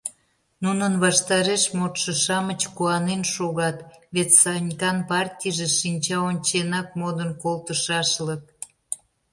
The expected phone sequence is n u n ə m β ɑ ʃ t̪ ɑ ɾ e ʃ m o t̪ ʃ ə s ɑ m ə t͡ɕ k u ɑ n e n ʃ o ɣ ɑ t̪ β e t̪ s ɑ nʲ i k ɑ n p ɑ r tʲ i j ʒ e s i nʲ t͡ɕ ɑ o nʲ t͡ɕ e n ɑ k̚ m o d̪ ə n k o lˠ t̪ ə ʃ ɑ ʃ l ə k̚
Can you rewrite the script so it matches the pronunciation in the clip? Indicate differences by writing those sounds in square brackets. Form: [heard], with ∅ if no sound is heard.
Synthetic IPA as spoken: n u n ə [n] β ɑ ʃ t̪ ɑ ɾ e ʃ m o t̪ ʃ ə [ʃ] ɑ m ə t͡ɕ k u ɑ n e n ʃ o ɣ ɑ t̪ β e t̪ s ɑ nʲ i k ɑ n p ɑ r tʲ i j ʒ e [ʃ] i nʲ t͡ɕ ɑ o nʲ t͡ɕ e n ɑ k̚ m o d̪ ə n k o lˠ t̪ ə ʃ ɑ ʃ l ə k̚